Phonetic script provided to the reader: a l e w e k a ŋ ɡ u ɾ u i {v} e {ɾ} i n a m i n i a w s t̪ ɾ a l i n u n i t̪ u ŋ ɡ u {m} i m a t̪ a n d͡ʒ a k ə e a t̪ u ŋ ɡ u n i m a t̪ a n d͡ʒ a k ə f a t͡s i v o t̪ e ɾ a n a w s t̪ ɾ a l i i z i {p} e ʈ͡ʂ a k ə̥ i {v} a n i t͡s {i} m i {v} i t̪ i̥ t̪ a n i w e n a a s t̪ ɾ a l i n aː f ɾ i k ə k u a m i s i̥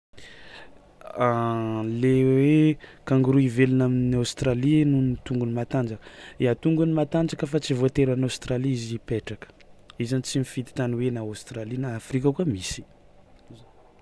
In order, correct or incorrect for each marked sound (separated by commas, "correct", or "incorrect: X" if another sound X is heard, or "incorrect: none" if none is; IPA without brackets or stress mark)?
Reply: correct, incorrect: l, incorrect: n, correct, incorrect: z, correct, incorrect: f